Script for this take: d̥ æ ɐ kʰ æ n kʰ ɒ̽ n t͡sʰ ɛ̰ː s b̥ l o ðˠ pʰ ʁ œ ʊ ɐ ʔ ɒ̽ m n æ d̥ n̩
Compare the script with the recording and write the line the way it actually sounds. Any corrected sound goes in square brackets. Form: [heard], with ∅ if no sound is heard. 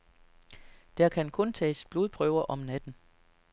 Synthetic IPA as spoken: d̥ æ ɐ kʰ æ n kʰ [ɔ̽] n t͡sʰ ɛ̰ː s b̥ l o ðˠ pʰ ʁ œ ʊ ɐ ʔ ɒ̽ m n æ d̥ n̩